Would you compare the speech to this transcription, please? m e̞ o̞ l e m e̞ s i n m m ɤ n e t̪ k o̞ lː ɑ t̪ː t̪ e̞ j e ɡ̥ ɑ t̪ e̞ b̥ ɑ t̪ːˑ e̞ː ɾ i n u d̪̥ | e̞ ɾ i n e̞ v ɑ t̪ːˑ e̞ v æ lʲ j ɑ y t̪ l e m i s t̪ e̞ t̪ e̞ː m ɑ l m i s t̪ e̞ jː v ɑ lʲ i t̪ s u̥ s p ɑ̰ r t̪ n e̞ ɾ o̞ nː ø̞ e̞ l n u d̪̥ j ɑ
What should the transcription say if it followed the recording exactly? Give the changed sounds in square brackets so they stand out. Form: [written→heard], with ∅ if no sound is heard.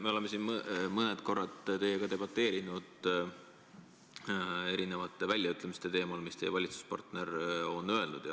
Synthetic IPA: m e̞ o̞ l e m e̞ s i n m m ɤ n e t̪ k o̞ [lː→rː] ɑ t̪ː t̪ e̞ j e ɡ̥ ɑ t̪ e̞ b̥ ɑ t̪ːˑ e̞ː ɾ i n u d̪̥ | e̞ ɾ i n e̞ v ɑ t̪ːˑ e̞ v æ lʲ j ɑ y t̪ l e m i s t̪ e̞ t̪ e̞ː m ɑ l m i s t̪ e̞ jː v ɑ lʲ i t̪ s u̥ s p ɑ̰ r t̪ n e̞ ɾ o̞ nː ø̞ e̞ l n u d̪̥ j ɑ